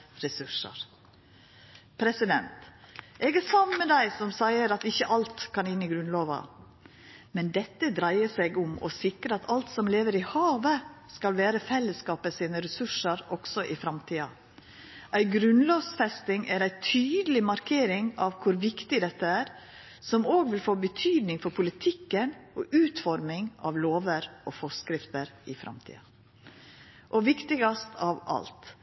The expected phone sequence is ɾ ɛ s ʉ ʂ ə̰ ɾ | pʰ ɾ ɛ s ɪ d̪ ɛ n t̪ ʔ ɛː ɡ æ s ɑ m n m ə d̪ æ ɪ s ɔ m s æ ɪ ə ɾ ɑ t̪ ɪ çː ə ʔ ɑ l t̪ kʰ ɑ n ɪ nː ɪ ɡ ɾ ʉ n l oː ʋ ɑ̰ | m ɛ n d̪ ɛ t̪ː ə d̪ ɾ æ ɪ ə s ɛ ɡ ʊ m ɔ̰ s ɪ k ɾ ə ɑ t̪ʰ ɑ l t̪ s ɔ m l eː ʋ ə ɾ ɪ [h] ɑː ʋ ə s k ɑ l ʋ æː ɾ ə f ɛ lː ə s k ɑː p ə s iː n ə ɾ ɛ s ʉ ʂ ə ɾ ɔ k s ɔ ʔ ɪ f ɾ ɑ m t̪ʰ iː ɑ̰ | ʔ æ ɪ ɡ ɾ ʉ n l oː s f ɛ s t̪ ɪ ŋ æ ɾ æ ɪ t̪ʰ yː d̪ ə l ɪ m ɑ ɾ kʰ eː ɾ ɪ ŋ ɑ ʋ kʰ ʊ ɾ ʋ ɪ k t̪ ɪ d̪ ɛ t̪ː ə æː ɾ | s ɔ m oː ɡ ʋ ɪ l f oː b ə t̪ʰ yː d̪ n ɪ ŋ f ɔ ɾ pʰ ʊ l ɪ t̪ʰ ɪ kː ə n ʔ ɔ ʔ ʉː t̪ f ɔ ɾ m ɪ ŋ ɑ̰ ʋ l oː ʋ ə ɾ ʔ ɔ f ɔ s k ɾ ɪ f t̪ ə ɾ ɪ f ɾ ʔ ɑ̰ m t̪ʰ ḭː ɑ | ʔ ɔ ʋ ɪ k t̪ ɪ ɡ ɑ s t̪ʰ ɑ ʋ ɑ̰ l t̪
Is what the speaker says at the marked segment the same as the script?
yes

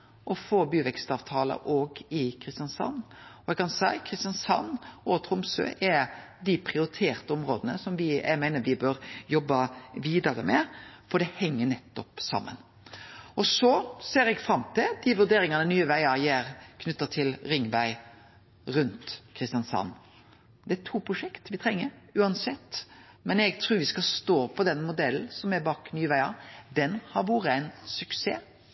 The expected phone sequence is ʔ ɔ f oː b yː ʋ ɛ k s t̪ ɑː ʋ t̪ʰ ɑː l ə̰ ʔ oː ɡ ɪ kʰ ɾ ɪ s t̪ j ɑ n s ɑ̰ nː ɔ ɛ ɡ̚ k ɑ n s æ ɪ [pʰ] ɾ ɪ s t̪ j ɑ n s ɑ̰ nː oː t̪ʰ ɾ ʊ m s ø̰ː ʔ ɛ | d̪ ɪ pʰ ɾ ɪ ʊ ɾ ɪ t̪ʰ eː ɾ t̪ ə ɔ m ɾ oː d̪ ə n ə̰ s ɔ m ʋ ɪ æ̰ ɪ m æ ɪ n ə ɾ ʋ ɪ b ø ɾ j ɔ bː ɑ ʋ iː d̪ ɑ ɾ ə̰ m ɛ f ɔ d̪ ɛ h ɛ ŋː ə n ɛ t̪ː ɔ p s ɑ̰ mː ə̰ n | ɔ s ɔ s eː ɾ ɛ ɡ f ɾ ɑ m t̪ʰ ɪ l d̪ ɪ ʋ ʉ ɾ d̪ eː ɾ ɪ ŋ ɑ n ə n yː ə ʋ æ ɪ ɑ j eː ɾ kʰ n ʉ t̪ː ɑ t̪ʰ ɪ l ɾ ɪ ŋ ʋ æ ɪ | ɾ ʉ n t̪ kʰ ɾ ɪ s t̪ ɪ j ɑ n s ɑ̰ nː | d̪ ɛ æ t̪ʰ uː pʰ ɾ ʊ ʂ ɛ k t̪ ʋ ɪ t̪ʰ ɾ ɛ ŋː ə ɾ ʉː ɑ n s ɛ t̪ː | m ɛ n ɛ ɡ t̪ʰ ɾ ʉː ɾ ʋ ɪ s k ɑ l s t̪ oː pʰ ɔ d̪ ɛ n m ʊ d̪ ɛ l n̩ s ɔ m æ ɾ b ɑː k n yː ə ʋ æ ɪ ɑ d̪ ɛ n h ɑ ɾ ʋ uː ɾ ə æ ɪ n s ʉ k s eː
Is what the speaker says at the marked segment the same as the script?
no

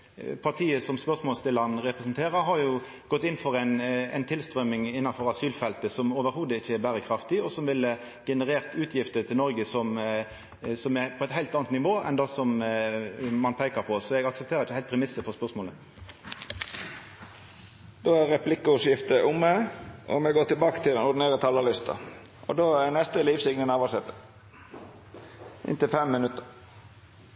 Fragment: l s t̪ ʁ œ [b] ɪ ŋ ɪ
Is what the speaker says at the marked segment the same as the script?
no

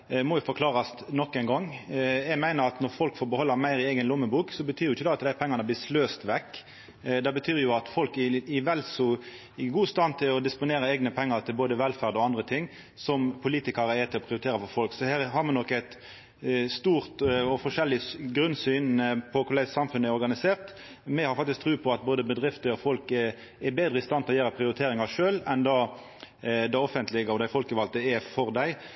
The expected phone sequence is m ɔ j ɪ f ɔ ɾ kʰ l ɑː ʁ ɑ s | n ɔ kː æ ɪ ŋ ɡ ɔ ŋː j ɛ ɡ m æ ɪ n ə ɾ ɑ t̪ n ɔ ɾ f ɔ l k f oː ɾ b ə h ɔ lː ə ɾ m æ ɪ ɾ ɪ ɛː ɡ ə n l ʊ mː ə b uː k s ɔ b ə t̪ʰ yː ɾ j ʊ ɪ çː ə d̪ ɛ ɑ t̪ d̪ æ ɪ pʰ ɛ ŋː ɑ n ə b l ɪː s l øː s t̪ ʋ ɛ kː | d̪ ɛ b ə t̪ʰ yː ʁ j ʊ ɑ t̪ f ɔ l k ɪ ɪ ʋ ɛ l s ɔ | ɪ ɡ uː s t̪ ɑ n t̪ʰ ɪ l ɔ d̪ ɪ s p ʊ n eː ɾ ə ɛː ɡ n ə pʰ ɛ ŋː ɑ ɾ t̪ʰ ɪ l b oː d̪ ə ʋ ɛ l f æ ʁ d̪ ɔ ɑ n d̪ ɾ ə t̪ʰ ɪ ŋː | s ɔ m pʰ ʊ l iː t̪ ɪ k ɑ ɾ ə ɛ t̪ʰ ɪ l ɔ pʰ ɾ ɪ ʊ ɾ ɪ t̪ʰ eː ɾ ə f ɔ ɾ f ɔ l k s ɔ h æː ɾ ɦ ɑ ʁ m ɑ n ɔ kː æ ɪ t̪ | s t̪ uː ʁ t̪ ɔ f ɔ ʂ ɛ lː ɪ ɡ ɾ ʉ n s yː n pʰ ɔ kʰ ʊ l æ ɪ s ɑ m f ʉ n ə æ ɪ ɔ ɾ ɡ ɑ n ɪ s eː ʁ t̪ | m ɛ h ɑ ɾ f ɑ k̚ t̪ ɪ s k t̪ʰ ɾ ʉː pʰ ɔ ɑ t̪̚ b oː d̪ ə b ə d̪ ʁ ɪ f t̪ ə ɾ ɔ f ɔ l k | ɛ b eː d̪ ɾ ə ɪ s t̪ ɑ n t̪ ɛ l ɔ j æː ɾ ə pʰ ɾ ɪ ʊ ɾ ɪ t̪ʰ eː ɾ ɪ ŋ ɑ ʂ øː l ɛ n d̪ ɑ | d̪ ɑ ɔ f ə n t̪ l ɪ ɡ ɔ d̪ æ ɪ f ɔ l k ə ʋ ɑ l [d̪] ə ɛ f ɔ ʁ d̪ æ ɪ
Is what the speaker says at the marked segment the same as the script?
no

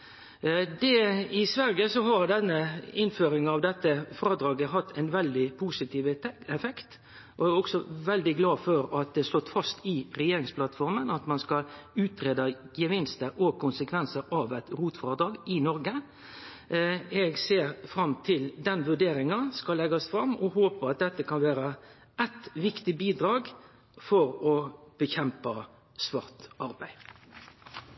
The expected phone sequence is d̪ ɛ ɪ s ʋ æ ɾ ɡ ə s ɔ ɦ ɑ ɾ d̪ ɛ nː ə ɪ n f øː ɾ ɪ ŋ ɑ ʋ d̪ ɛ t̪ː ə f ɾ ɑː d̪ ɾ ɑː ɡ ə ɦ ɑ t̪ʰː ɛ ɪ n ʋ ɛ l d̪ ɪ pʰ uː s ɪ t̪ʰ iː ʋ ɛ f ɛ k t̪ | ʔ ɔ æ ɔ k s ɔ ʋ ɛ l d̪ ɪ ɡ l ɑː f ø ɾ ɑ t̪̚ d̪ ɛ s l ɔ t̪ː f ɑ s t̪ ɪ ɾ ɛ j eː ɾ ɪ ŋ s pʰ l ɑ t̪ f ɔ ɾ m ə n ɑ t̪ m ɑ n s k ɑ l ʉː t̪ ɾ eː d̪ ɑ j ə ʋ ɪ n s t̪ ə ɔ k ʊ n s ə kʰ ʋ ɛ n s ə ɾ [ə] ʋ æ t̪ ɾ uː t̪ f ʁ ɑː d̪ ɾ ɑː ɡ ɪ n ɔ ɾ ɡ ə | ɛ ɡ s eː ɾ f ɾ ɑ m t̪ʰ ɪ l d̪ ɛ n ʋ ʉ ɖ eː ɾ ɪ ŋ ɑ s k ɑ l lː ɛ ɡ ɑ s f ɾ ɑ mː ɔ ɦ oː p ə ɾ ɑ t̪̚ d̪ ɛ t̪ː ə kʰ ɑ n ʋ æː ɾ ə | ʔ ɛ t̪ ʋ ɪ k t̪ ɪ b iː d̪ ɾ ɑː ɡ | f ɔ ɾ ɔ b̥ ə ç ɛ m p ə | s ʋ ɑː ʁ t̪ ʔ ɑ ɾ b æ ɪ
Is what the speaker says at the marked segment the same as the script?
no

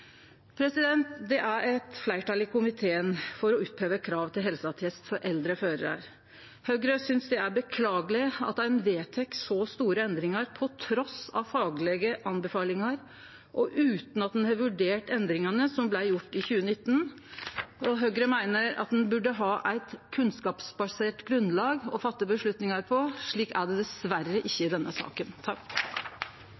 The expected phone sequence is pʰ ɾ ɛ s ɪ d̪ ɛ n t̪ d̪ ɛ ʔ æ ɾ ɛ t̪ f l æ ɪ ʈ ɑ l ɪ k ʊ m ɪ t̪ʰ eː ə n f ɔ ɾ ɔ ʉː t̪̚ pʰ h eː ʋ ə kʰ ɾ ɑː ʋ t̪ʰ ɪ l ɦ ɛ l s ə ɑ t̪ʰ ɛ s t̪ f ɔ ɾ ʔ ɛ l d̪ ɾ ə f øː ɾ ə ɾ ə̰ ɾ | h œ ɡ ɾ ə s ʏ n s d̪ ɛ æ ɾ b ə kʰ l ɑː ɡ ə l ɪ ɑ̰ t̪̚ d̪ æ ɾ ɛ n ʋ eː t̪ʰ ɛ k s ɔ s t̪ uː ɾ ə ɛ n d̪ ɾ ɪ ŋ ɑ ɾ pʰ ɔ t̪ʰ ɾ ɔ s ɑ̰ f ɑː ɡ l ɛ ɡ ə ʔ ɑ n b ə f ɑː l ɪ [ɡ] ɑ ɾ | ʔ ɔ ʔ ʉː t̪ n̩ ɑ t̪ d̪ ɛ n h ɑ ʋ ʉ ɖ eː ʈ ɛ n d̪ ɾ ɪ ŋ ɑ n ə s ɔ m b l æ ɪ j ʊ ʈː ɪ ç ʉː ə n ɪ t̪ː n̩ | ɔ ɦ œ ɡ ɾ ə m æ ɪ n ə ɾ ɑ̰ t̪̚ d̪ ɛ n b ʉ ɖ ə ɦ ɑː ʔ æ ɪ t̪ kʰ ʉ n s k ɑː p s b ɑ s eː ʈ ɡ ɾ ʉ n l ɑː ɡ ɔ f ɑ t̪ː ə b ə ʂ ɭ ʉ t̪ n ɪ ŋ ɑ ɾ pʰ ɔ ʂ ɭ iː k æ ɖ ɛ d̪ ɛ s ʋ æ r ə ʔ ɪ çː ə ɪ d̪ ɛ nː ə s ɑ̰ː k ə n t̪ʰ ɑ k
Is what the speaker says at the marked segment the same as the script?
no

